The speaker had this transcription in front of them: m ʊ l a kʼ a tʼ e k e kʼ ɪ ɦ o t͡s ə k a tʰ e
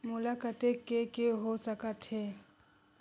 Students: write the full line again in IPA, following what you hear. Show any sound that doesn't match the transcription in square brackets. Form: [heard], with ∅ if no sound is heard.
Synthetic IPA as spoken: m ʊ l a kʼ a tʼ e k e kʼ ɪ ɦ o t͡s [a] k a tʰ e